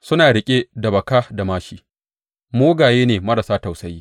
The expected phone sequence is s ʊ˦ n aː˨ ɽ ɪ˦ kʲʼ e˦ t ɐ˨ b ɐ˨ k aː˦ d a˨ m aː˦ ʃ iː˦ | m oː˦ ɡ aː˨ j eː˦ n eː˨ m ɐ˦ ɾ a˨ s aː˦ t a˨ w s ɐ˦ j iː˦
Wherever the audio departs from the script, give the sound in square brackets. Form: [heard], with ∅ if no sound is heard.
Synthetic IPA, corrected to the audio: s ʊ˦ n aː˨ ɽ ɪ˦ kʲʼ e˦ [d] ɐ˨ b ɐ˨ k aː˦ d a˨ m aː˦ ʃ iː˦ | m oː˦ ɡ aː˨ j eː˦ n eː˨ m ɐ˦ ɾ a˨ s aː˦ t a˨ w s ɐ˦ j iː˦